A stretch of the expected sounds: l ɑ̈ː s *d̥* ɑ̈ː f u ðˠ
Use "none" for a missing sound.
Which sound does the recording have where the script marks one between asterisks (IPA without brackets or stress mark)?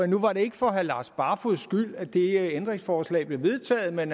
b̥